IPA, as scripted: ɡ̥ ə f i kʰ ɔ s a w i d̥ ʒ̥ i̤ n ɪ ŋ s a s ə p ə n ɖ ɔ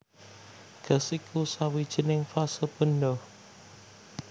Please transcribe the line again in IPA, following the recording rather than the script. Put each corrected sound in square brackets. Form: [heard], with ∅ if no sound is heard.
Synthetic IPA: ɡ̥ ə [s] i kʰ [u] s a w i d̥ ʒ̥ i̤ n ɪ ŋ [f] a s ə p ə n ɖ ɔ